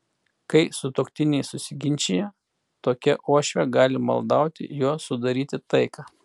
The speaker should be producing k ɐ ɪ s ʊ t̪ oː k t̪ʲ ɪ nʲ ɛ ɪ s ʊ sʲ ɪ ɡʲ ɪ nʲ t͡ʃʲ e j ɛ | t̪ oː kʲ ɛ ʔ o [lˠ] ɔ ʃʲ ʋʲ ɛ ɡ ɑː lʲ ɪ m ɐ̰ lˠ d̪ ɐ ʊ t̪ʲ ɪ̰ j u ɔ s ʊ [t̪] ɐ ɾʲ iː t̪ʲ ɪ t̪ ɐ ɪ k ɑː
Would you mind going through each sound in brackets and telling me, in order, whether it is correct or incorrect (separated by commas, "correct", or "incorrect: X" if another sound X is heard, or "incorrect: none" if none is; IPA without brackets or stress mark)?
incorrect: none, incorrect: d̪